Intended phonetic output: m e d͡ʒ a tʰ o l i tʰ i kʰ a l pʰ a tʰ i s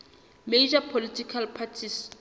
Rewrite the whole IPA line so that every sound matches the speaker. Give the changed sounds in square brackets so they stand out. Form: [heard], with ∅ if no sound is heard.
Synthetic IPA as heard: m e d͡ʒ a [pʰ] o l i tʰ i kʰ a l pʰ a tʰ i s